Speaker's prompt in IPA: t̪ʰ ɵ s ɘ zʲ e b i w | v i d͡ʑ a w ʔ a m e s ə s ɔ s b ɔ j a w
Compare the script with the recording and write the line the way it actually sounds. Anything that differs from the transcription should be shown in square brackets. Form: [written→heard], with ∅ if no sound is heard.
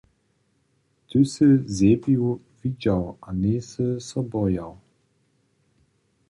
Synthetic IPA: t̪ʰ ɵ s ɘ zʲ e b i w | v i d͡ʑ a w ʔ a [m→n] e s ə s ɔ [s→∅] b ɔ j a w